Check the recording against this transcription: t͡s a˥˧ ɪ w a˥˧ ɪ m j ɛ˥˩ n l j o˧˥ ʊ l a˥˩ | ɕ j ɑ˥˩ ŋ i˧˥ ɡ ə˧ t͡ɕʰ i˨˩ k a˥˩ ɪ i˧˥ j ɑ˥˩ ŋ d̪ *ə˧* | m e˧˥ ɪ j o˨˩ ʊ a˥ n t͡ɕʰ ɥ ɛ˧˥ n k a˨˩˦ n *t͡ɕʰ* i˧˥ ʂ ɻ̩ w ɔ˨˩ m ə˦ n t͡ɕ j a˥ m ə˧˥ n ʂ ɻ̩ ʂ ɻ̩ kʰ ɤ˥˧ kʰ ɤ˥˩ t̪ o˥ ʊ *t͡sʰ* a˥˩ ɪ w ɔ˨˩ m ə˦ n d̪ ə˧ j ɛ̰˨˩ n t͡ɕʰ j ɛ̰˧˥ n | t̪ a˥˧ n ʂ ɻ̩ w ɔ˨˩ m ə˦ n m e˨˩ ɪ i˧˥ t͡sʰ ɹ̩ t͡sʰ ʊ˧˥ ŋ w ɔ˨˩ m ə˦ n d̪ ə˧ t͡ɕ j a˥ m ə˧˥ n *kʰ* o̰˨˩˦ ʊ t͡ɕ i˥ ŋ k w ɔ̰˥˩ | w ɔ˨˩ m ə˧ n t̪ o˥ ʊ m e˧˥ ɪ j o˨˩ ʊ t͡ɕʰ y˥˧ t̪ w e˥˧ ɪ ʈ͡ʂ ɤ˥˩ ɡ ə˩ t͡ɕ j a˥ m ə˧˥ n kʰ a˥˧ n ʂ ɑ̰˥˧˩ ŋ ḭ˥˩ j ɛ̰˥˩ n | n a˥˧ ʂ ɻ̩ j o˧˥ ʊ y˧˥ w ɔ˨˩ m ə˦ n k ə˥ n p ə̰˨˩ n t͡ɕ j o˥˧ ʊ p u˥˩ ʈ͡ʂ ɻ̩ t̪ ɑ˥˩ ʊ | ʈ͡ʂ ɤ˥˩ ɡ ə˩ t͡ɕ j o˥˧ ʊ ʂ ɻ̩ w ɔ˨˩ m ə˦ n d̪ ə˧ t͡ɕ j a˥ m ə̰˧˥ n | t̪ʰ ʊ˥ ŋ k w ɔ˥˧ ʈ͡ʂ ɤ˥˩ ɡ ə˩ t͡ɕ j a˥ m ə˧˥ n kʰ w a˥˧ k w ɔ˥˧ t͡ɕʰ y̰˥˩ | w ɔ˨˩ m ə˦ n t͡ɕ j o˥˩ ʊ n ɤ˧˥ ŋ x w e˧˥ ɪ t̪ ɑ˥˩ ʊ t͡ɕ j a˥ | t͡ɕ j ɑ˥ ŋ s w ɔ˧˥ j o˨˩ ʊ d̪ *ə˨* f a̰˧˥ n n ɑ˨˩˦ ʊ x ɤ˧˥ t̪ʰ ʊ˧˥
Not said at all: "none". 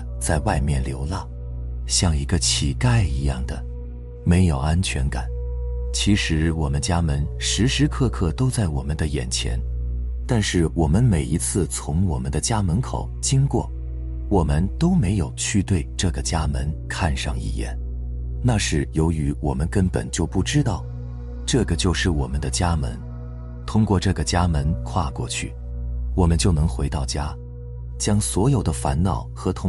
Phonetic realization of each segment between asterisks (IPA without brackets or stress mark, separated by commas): ə˩, t͡ɕʰ, t͡s, kʰ, ə˦